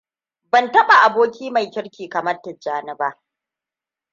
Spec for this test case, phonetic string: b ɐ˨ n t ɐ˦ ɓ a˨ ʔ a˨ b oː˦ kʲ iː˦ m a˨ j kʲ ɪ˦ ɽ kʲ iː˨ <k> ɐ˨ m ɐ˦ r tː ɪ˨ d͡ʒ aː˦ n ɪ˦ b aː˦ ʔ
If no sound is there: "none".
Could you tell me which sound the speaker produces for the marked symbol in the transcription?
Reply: k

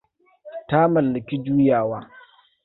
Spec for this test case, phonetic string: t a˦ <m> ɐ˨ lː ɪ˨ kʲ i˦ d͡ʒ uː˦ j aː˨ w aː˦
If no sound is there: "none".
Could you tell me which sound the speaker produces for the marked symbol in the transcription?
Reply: m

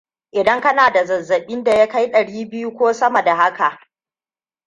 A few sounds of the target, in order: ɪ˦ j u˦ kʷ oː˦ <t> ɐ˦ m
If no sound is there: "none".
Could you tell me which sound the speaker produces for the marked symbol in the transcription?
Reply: s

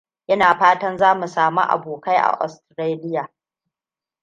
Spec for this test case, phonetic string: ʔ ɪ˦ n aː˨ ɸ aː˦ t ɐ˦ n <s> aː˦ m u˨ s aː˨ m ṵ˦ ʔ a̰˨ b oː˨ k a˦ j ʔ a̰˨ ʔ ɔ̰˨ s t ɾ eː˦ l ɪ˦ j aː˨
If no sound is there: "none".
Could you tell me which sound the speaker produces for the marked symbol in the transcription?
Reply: z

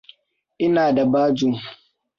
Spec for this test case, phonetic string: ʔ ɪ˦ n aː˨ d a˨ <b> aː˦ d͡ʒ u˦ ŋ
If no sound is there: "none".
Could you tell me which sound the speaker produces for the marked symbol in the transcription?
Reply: b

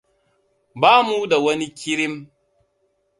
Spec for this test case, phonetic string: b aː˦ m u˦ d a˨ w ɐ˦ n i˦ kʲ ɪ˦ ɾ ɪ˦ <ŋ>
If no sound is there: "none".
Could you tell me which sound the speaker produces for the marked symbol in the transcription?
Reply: m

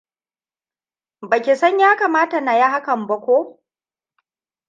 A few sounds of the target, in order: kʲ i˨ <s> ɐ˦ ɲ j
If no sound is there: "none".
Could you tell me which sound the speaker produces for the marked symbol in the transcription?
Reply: s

